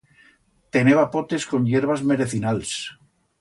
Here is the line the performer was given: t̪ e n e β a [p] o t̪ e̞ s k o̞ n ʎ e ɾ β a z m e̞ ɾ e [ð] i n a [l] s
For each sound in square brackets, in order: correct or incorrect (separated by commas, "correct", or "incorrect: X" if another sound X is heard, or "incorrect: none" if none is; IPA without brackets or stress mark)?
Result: correct, incorrect: θ, correct